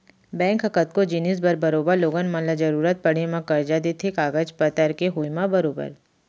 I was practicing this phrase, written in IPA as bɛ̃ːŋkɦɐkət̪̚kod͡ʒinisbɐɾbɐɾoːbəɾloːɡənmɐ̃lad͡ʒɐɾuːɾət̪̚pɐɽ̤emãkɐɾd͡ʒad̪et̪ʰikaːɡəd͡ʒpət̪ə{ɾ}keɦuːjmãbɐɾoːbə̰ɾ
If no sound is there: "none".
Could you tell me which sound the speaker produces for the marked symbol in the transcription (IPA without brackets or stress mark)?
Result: ɾ